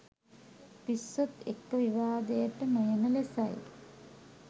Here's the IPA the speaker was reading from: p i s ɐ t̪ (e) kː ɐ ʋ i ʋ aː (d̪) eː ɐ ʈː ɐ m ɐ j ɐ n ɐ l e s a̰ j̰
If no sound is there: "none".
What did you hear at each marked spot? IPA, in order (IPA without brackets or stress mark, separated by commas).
e, d̪